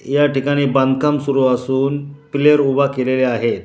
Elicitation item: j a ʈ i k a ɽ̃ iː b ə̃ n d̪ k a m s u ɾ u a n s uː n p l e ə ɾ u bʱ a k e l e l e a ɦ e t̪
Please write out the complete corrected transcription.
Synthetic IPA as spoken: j a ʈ i k a ɽ̃ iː b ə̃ n d̪ k a m s u ɾ u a s uː n p l e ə ɾ u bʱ a k e l e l e a ɦ e t̪